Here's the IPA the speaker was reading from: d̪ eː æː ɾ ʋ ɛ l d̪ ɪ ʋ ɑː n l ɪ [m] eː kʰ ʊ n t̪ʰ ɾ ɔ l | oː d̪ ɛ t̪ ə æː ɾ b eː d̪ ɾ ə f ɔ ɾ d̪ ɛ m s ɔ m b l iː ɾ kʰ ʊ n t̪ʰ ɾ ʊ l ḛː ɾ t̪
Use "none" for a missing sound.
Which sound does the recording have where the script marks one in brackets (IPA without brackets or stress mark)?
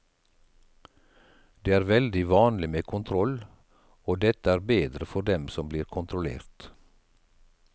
m